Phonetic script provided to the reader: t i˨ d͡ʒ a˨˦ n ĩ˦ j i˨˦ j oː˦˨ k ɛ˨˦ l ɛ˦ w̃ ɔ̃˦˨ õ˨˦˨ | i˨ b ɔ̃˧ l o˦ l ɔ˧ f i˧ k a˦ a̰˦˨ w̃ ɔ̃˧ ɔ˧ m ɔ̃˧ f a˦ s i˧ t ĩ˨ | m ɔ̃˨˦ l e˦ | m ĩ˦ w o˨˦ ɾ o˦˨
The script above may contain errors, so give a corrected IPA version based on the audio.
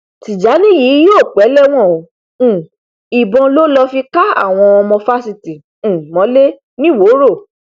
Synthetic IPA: t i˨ d͡ʒ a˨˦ n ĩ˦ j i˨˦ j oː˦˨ k͡p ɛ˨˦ l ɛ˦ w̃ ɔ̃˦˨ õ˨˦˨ | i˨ b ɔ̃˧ l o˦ l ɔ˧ f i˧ k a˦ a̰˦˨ w̃ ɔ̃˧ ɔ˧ m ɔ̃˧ f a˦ s i˧ t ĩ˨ | m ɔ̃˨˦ l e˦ | n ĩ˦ w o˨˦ ɾ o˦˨